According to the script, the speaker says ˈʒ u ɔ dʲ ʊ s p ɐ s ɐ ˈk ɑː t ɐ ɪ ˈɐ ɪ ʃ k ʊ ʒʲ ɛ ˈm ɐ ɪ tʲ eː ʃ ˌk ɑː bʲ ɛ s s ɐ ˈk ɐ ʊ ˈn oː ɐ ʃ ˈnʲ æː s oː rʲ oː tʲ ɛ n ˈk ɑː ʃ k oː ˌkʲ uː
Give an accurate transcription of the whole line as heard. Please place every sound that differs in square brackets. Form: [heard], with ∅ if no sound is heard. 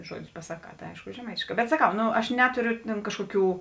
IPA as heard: ˈʒ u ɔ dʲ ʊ s p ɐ s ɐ ˈk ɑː t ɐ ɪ ˈɐ ɪ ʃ k ʊ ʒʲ ɛ ˈm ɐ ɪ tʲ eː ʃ ˌk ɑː bʲ ɛ [t] s ɐ ˈk ɐ ʊ ˈn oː ɐ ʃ ˈnʲ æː [t] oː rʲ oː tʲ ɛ n ˈk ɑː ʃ k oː ˌkʲ uː